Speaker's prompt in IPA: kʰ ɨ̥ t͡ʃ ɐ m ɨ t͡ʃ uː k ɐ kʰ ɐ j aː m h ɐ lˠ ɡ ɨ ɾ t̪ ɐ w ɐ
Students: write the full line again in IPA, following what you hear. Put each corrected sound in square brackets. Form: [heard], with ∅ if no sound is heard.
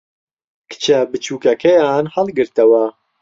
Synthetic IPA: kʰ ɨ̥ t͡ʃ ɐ [b] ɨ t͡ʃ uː k ɐ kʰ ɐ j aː [n] h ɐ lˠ ɡ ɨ ɾ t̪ ɐ w ɐ